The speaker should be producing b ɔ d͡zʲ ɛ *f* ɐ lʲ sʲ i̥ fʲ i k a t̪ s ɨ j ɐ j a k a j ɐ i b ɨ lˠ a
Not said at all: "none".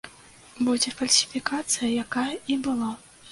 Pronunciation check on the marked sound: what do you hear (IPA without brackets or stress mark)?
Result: f